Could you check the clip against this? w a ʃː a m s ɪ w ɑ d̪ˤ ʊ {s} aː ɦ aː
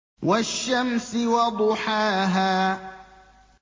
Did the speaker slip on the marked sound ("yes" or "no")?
yes